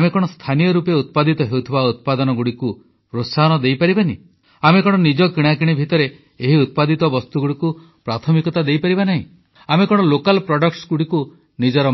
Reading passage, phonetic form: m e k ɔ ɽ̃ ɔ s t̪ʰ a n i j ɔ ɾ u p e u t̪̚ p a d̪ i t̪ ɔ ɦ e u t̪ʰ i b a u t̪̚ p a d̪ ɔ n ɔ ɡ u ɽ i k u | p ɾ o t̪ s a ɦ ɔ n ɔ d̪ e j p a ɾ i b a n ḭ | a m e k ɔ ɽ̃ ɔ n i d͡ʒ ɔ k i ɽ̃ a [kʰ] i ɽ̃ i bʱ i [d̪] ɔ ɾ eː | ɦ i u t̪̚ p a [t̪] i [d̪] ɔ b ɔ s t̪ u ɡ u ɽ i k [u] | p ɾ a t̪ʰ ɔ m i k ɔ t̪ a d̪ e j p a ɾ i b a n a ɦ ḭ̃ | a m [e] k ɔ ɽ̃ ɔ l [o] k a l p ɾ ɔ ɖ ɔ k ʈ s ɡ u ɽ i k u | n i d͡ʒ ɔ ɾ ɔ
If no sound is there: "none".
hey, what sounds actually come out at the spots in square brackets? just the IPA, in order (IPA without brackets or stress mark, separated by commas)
k, t̪, d̪, t̪, u, e, o